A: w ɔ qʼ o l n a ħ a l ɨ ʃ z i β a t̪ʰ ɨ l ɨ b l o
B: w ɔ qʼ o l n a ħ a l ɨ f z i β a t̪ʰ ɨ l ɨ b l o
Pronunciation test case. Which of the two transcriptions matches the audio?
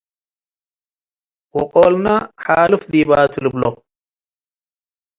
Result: B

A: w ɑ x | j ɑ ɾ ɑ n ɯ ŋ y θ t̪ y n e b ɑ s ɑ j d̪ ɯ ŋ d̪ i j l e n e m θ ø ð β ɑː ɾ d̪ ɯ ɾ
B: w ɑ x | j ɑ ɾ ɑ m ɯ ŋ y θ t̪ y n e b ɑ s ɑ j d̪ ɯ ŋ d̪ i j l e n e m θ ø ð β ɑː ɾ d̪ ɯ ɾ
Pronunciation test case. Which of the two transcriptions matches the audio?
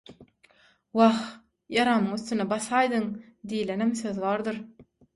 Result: B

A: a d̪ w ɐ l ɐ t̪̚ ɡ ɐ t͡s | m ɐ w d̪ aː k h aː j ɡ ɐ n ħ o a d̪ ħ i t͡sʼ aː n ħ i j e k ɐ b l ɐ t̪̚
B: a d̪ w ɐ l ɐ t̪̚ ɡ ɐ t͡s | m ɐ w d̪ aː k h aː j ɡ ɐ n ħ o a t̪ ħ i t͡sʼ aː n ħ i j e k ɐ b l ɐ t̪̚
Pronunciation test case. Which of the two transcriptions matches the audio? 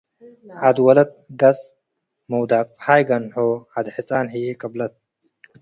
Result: A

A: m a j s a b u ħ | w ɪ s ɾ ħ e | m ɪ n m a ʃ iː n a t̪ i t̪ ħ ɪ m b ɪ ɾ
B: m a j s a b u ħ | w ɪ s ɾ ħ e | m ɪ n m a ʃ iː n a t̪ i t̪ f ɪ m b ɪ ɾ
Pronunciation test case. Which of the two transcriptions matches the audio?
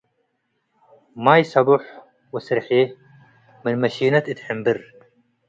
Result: A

